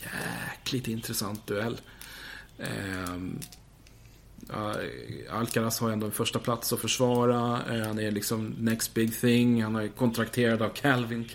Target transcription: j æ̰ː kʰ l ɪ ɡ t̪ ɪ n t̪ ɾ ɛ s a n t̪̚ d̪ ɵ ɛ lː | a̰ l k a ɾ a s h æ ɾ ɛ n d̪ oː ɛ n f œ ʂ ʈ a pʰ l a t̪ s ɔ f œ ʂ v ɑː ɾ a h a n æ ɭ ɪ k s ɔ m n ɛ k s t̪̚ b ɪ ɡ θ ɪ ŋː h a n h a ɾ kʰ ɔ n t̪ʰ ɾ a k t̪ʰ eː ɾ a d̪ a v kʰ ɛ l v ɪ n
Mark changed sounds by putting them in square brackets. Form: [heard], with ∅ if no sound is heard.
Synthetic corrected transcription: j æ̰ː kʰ l ɪ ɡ t̪ ɪ n t̪ ɾ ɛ s a n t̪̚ d̪ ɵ ɛ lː | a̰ l k a ɾ a s h [a] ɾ ɛ n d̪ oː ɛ n f œ ʂ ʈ a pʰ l a t̪ s ɔ f œ ʂ v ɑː ɾ a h a n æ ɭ ɪ k s ɔ m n ɛ k s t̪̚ b ɪ ɡ θ ɪ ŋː h a n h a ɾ kʰ ɔ n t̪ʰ ɾ a k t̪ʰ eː ɾ a d̪ a v kʰ ɛ l v ɪ n